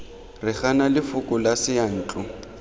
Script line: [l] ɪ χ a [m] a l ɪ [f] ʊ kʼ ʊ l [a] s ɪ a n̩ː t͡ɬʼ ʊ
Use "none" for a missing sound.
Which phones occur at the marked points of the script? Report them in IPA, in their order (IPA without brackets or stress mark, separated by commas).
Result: r, n, f, a